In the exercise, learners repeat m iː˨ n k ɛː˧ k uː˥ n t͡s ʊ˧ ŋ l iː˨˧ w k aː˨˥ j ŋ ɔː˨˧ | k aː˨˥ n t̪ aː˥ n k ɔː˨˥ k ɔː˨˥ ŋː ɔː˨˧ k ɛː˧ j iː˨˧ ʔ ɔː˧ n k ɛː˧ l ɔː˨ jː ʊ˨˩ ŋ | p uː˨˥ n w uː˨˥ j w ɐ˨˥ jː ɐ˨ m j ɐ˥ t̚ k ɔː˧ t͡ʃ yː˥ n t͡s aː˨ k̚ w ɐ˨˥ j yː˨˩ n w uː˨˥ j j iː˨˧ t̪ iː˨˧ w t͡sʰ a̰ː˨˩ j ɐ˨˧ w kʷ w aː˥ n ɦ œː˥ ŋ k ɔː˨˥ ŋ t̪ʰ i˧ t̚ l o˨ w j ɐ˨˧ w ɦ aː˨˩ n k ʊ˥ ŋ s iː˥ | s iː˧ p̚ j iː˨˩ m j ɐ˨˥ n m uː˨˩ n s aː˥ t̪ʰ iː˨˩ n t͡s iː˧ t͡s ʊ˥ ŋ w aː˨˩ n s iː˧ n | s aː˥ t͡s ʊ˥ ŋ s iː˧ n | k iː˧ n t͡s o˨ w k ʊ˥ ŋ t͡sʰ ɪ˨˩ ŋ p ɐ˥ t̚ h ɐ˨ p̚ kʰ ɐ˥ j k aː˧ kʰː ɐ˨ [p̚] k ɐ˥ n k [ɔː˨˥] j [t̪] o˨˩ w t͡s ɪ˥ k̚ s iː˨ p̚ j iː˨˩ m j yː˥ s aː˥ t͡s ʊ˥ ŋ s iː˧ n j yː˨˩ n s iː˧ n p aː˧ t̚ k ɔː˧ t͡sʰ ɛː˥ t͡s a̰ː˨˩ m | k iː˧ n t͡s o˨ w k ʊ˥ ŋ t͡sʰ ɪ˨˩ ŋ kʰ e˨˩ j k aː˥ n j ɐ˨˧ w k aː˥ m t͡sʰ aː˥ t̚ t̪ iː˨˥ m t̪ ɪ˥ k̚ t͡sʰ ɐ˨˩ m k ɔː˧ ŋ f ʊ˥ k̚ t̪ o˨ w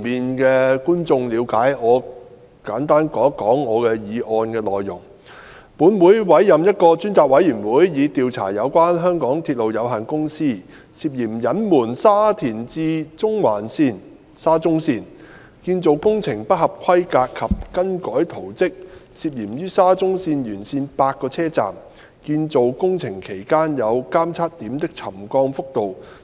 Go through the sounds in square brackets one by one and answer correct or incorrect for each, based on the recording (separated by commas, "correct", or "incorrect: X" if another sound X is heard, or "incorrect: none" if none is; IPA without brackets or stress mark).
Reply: correct, correct, incorrect: t̪ʰ